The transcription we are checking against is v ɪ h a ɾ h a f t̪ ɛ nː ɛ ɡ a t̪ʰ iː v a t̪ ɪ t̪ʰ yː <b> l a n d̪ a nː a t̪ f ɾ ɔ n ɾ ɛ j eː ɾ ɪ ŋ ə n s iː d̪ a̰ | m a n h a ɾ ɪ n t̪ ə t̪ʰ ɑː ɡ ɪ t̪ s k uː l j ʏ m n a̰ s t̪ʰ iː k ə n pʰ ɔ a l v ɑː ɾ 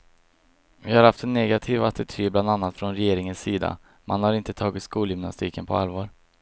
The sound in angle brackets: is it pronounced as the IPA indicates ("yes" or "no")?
yes